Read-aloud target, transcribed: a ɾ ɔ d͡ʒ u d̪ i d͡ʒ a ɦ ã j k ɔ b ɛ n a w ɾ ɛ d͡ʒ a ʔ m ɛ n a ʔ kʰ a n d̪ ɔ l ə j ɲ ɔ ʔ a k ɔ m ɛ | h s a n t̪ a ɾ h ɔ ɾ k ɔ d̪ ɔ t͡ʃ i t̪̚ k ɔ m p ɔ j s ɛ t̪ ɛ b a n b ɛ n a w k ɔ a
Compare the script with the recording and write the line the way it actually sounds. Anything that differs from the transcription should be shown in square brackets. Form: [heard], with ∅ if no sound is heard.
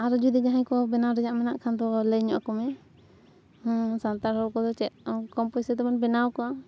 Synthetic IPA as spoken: a ɾ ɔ d͡ʒ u d̪ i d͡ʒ a ɦ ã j k ɔ b ɛ n a w ɾ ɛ d͡ʒ a ʔ m ɛ n a ʔ kʰ a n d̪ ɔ l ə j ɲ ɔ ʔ a k ɔ m ɛ | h s a n t̪ a ɾ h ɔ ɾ k ɔ d̪ ɔ t͡ʃ [ɛ] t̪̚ k ɔ m p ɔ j s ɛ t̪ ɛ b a n b ɛ n a w k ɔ a